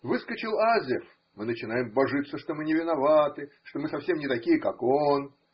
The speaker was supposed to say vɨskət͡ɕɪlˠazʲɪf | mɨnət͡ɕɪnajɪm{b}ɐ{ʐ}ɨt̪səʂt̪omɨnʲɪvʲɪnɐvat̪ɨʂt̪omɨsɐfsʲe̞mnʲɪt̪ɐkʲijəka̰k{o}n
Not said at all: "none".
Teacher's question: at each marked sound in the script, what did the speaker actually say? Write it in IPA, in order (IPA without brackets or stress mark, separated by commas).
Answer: b, ʐ, o